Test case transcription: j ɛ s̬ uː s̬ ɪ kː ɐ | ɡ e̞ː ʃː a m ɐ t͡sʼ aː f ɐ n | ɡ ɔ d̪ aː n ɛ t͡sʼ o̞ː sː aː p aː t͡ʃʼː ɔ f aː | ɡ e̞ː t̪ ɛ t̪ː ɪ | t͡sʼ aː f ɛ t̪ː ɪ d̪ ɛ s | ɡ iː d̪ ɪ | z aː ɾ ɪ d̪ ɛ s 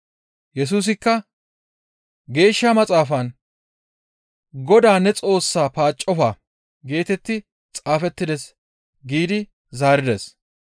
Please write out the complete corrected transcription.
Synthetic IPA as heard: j ɛ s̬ uː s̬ ɪ kː ɐ | ɡ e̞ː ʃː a m ɐ t͡sʼ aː f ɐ n | ɡ ɔ d̪ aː n ɛ t͡sʼ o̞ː sː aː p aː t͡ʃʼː ɔ f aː | ɡ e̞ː t̪ ɛ t̪ː ɪ | t͡sʼ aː f ɛ t̪ː ɪ d̪ ɛ s | ɡ iː d̪ ɪ | z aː ɾ ɪ d̪ ɛ s